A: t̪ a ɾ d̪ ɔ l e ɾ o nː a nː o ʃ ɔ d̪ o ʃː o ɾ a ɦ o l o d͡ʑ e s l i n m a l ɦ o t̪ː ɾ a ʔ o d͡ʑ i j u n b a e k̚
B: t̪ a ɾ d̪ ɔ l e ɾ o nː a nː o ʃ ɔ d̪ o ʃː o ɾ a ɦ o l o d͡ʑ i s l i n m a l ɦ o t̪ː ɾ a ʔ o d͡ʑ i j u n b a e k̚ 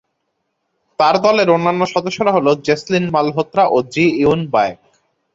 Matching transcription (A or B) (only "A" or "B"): A